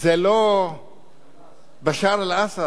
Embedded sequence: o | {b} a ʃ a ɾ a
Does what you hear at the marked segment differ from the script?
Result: no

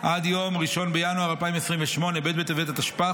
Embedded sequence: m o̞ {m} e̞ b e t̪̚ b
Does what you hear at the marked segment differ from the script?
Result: yes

